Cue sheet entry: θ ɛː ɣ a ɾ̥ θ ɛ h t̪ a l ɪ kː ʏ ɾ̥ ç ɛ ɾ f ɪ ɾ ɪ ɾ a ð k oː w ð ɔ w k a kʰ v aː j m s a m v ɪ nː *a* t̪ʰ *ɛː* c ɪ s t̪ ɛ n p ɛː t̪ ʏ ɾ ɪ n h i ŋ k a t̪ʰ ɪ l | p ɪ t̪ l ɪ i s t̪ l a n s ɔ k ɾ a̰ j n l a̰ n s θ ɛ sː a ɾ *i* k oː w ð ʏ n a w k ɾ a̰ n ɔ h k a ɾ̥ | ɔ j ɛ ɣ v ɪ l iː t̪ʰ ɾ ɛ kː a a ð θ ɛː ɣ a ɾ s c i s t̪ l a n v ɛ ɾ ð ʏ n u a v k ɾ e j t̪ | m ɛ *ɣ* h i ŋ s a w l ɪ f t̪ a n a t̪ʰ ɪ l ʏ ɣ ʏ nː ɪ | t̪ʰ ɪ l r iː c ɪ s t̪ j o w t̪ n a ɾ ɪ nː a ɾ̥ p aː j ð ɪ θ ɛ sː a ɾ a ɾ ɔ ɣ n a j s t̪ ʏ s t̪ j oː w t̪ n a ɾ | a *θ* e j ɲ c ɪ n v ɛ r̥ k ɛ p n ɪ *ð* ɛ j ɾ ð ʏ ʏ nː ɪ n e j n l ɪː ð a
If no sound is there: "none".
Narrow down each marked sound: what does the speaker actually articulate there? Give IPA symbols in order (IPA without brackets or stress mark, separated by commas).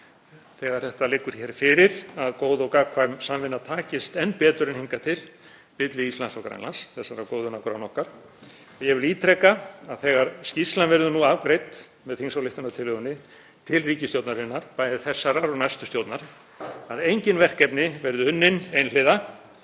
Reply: a, aː, a, ð, ð, v